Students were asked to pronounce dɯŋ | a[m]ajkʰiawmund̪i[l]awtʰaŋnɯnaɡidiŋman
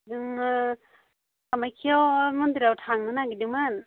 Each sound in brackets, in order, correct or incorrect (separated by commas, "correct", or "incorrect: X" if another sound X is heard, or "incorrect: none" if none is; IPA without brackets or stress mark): correct, incorrect: ɾ